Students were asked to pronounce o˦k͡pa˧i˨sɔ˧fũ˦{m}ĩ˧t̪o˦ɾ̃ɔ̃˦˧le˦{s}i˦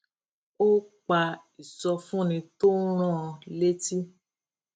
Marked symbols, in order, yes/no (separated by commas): no, no